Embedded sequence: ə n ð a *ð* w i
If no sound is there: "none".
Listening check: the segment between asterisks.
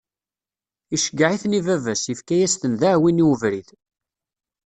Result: ʕ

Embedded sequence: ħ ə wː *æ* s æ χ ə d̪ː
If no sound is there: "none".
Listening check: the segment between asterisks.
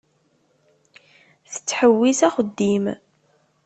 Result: i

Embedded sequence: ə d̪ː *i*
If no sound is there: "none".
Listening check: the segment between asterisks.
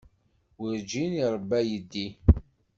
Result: i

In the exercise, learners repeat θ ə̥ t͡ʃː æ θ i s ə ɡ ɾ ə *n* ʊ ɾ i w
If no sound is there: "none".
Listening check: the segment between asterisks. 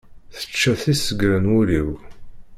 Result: n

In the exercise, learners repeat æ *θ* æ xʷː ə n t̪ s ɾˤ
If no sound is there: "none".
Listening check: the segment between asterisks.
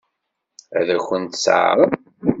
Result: ð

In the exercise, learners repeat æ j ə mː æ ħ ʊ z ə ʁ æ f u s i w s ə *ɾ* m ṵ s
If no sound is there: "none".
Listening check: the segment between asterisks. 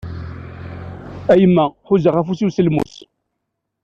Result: l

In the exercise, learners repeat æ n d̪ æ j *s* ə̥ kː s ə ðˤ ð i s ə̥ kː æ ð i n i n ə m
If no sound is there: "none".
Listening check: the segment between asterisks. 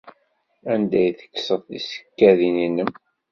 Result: θ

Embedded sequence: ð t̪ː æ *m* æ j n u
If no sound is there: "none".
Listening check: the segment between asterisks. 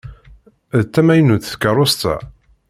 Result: m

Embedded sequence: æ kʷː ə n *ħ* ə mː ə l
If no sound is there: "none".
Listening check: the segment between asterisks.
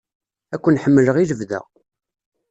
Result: ħ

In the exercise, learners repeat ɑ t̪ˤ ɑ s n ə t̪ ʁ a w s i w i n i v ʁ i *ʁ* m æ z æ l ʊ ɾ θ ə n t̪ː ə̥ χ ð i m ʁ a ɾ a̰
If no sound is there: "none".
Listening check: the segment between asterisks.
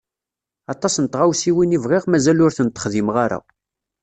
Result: ʁ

